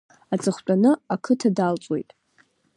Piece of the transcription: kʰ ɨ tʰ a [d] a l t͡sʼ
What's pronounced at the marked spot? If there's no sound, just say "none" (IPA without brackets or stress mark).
d